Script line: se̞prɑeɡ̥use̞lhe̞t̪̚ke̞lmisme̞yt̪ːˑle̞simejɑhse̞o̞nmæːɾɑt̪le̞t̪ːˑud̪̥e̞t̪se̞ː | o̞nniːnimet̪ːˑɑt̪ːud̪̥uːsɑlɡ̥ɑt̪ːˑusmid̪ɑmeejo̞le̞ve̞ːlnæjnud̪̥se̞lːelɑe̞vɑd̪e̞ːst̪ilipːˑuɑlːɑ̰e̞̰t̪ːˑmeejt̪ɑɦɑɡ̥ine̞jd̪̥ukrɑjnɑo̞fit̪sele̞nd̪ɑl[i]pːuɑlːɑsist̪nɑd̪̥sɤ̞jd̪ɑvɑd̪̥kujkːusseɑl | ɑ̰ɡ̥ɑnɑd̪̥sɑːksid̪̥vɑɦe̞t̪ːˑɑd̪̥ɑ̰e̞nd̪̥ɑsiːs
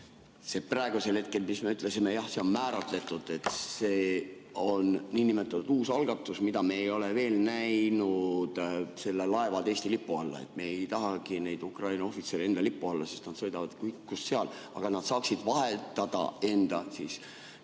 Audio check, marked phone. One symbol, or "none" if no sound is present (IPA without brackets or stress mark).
i